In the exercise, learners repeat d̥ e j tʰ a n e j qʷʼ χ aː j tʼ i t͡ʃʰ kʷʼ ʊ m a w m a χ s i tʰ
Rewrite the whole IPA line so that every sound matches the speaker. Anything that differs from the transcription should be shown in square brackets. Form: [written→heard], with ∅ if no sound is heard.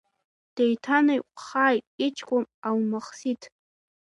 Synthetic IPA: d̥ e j tʰ a n [e→a] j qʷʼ χ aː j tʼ i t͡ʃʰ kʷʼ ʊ m a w m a χ s i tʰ